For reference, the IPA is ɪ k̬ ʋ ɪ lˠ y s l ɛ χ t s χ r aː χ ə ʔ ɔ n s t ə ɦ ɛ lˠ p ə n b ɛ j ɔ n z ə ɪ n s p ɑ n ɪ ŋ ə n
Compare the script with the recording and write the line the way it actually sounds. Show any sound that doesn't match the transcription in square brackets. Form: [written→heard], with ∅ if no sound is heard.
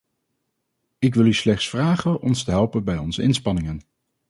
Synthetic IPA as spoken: ɪ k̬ ʋ ɪ lˠ y s l ɛ χ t s [χ→f] r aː χ ə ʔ ɔ n s t ə ɦ ɛ lˠ p ə n b ɛ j ɔ n z ə ɪ n s p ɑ n ɪ ŋ ə n